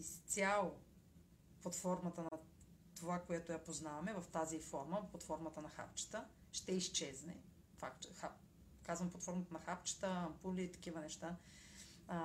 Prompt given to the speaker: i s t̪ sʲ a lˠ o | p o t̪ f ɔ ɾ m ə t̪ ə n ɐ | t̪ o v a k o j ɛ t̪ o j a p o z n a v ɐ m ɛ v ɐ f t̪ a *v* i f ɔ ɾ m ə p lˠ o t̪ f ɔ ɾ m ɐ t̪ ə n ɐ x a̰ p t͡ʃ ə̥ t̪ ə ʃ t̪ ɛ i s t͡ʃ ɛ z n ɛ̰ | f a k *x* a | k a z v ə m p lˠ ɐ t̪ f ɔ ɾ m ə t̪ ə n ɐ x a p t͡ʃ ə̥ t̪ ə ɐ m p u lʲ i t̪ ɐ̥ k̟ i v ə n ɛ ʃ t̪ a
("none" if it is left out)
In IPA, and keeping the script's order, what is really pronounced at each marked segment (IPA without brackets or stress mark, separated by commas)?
z, x